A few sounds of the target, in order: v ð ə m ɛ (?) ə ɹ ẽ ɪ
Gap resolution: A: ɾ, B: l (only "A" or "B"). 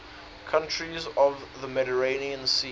A